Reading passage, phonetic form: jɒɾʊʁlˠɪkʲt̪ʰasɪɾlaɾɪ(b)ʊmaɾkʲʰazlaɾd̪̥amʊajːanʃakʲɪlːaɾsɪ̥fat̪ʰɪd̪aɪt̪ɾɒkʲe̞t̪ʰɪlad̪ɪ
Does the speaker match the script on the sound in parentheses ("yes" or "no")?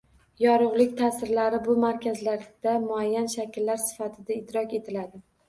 yes